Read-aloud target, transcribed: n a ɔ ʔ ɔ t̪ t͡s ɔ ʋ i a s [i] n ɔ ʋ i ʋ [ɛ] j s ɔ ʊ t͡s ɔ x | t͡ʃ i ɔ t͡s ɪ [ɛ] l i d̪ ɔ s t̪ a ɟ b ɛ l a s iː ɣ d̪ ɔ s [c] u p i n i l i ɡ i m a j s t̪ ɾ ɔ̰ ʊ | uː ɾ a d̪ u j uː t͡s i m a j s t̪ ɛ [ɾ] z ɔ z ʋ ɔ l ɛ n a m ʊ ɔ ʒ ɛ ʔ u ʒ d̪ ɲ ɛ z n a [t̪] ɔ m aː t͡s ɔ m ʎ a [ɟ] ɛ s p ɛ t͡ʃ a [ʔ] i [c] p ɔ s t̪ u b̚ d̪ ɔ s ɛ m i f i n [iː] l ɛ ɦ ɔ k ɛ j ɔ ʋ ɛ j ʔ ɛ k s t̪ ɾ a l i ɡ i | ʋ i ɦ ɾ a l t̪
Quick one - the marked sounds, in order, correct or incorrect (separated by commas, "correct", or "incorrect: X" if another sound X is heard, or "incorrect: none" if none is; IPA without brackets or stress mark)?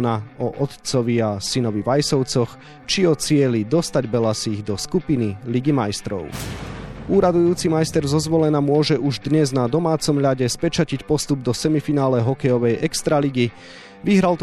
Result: correct, incorrect: a, correct, incorrect: k, correct, incorrect: d̪, correct, incorrect: c, correct, incorrect: aː